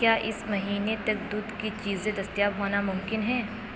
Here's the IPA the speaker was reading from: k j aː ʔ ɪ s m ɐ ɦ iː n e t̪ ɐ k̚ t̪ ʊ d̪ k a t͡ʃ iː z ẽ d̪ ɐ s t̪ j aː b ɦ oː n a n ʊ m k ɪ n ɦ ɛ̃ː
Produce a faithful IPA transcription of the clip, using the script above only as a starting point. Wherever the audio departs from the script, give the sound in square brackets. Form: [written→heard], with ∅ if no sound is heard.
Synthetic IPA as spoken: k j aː ʔ ɪ s m ɐ ɦ iː n e t̪ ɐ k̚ [t̪→d̪] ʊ d̪ k [a→i] t͡ʃ iː z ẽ d̪ ɐ s t̪ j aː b ɦ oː n a [n→m] ʊ m k ɪ n ɦ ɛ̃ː